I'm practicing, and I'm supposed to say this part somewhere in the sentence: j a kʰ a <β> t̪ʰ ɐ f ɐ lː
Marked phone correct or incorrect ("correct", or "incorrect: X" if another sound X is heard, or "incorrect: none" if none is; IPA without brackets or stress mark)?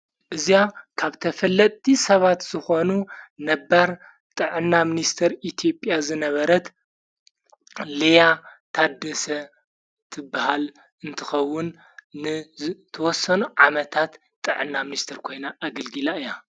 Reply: correct